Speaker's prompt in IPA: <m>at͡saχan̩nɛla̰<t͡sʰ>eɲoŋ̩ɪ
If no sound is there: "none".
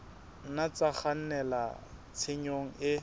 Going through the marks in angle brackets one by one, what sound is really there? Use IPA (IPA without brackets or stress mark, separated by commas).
n, t͡sʰ